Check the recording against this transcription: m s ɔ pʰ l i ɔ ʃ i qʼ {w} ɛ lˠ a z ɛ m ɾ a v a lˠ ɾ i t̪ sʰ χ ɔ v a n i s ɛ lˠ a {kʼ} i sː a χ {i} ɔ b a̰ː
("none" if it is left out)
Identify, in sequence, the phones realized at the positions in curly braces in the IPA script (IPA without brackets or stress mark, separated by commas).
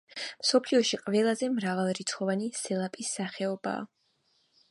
v, pʼ, ɛ